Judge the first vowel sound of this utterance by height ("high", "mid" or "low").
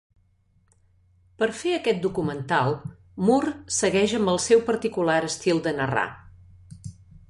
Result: mid